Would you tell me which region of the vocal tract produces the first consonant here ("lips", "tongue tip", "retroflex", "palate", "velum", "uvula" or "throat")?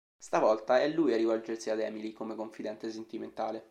tongue tip